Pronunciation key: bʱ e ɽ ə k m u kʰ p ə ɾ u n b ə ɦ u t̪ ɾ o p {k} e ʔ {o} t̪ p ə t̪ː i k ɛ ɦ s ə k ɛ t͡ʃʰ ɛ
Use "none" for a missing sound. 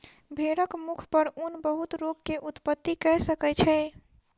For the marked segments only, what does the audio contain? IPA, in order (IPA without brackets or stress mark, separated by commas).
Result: k, u